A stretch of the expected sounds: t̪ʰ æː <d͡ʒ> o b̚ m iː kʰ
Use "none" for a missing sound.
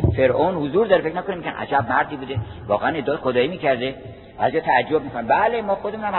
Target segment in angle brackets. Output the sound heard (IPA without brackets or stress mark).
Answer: d͡ʒː